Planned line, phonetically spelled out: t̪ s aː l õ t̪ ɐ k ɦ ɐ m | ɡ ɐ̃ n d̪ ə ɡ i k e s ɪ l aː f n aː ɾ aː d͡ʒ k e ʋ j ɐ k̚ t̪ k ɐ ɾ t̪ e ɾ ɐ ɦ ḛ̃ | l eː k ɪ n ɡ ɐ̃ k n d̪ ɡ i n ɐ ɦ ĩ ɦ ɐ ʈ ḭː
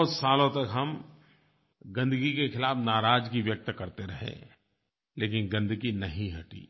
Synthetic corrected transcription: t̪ s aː l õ t̪ ɐ k ɦ ɐ m | ɡ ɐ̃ n d̪ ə ɡ i k e x ɪ l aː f n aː ɾ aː d͡ʒ k i ʋ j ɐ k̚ t̪ k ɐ ɾ t̪ e ɾ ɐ ɦ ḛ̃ | l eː k ɪ n ɡ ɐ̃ n d̪ ɡ i n ɐ ɦ ĩ ɦ ɐ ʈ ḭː